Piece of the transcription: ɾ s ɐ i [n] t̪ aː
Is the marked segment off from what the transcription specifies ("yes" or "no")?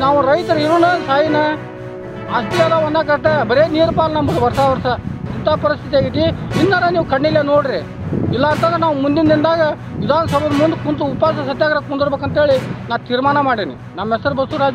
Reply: no